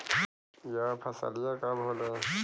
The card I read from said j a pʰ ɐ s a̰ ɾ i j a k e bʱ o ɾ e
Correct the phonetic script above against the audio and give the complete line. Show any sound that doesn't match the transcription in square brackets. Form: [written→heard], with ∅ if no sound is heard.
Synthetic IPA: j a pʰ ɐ s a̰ [ɾ→l] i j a k [e→a] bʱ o [ɾ→l] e

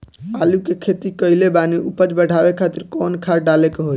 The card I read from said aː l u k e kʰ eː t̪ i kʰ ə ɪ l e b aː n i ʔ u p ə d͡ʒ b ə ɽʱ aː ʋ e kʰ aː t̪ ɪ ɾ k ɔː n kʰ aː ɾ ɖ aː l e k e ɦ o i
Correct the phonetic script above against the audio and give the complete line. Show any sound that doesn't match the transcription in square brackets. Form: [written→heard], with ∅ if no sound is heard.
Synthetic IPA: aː l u k e kʰ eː t̪ i [kʰ→k] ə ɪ l e b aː n i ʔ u p ə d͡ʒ b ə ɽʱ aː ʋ e kʰ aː t̪ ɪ ɾ k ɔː n kʰ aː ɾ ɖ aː l e k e ɦ o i

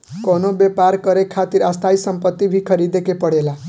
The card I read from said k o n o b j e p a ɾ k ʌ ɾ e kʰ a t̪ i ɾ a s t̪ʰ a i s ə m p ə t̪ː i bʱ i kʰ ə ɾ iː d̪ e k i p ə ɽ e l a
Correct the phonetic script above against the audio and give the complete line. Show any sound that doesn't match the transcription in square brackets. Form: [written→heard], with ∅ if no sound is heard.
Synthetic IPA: k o n o b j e p a ɾ k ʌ ɾ e kʰ a t̪ i ɾ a s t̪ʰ a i s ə m p ə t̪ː i bʱ i kʰ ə ɾ [iː→i] d̪ e k [i→e] p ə ɽ e l a

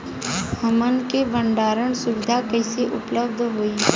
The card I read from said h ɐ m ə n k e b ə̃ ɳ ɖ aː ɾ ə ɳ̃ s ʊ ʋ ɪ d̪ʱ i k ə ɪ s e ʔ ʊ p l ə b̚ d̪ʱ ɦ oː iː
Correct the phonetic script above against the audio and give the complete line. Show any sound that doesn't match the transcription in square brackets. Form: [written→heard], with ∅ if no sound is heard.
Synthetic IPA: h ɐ m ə n k e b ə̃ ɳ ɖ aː ɾ ə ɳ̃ s ʊ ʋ ɪ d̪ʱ [i→a] k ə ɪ s e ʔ ʊ p l ə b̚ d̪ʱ ɦ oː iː

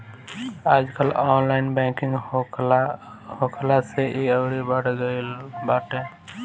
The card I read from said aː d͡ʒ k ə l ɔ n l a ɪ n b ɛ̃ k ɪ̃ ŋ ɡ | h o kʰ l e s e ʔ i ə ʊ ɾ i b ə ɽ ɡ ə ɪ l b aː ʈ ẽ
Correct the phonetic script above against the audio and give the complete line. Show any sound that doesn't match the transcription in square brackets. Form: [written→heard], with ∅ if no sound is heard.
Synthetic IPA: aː d͡ʒ k ə l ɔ n l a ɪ n b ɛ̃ k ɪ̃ ŋ ɡ | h o kʰ l [e→a] s e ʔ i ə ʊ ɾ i b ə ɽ ɡ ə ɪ l b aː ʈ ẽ

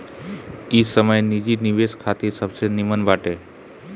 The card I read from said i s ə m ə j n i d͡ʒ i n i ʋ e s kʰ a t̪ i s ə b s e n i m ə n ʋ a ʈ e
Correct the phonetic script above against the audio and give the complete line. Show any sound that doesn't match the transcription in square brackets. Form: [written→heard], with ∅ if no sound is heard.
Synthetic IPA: i s ə m ə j n i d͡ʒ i n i ʋ e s kʰ a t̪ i s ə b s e n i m ə n ʋ a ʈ e

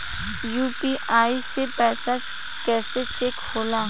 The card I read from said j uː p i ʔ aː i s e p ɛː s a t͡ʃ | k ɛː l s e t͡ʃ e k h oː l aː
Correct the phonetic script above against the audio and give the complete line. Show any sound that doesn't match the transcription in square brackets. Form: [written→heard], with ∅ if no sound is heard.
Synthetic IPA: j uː p i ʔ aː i s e p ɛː s a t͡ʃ | k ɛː [l→∅] s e t͡ʃ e k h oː l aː

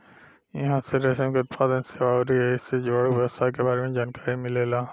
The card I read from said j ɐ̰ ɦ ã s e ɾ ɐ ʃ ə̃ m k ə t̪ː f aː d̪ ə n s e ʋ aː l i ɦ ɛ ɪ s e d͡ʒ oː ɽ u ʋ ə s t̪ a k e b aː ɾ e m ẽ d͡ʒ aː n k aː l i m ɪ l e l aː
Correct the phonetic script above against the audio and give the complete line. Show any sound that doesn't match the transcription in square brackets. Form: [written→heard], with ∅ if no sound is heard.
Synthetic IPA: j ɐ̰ ɦ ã s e ɾ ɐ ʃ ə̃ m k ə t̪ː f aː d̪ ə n s e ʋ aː [l→ɾ] i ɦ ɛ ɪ s e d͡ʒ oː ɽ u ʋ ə s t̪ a k e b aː ɾ e m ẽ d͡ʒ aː n k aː [l→ɾ] i m ɪ l e l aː

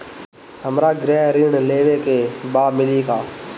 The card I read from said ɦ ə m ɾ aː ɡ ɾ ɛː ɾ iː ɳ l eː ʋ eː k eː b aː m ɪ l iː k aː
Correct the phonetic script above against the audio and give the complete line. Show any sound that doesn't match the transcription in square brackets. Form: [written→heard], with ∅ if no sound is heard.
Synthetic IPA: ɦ ə m ɾ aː ɡ ɾ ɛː ɾ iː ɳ l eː ʋ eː k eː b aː m ɪ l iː k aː

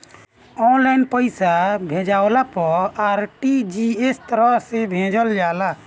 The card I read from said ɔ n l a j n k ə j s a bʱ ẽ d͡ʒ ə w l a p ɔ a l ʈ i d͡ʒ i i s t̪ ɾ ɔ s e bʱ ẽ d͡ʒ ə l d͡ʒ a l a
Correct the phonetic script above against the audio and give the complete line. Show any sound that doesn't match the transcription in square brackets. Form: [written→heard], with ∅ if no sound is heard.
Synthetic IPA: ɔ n l a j n [k→p] ə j s a bʱ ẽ d͡ʒ [ə→a] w l a p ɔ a [l→ɾ] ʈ i d͡ʒ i [i→e] s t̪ ɾ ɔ s e bʱ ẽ d͡ʒ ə l d͡ʒ a l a

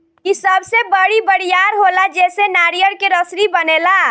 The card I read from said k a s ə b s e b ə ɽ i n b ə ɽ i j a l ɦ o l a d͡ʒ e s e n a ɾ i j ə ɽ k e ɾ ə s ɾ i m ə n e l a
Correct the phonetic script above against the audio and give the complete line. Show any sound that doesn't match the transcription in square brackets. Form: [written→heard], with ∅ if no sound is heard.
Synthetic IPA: k [a→i] s ə b s e b ə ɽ i [n→∅] b ə ɽ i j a [l→ɾ] ɦ o l a d͡ʒ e s e n a ɾ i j ə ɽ k e ɾ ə s ɾ i [m→b] ə n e l a

